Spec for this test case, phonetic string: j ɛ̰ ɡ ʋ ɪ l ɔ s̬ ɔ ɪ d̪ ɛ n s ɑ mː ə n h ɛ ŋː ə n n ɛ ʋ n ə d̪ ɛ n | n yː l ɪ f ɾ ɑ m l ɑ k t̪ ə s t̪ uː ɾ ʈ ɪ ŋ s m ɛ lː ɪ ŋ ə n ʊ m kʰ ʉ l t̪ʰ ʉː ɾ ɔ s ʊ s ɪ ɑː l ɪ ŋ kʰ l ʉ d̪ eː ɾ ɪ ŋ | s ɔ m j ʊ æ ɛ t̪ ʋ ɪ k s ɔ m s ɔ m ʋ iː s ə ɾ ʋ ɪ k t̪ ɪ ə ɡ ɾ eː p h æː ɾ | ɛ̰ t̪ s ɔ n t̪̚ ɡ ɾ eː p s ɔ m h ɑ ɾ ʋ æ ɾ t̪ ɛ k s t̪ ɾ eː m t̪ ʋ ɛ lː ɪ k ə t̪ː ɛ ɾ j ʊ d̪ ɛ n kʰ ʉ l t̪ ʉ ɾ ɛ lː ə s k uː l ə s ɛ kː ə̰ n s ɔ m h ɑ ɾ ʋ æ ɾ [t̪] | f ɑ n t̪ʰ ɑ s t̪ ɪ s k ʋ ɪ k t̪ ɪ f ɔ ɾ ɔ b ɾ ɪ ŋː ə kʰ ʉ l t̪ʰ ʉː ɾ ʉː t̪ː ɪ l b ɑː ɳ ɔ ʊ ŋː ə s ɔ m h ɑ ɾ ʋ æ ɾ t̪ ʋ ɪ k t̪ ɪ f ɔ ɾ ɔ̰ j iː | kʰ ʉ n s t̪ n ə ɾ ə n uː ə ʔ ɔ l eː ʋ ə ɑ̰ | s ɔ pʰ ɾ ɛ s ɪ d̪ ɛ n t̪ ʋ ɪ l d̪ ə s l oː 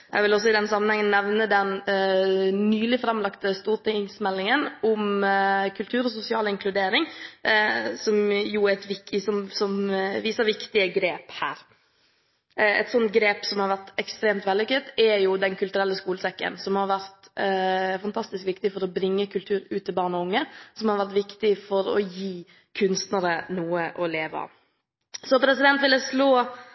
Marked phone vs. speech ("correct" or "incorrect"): correct